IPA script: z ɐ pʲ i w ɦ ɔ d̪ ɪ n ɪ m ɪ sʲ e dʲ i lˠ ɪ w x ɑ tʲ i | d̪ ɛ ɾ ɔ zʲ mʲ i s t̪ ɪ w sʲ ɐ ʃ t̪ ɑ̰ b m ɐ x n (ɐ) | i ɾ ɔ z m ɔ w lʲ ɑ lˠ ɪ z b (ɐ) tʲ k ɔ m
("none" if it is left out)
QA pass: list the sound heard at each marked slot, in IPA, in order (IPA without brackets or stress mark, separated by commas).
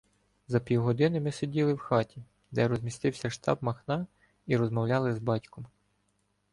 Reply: ɑ, ɑ